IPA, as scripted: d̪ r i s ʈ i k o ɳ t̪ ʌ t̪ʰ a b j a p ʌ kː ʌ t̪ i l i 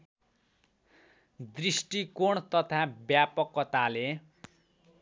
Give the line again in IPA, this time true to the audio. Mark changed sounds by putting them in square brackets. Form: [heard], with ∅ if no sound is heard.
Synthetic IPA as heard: d̪ r i s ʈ i k o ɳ t̪ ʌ t̪ʰ a b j a p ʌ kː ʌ t̪ [a] l [e]